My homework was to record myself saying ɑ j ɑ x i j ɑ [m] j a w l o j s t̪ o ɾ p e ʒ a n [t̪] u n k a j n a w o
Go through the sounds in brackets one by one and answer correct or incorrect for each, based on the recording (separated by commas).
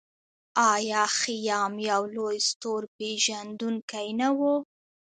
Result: correct, incorrect